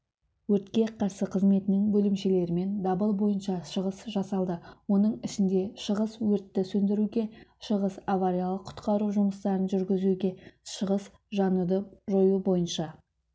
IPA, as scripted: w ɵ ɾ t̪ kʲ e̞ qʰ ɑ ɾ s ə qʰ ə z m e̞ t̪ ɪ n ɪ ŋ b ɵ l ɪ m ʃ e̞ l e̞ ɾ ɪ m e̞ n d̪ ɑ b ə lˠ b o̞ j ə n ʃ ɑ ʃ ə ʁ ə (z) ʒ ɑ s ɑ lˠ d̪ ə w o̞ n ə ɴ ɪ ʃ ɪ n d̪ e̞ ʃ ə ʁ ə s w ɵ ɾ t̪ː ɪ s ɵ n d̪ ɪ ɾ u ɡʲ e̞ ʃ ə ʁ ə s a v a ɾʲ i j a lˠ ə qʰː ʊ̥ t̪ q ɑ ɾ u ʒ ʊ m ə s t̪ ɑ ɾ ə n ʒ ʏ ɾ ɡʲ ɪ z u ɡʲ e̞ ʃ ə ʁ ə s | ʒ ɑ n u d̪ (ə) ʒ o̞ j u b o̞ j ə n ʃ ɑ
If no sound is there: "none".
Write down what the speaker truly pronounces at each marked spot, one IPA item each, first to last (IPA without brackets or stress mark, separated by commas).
s, ə